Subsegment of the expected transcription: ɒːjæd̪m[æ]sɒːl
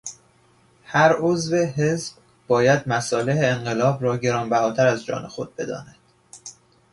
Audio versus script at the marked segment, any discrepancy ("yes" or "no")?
no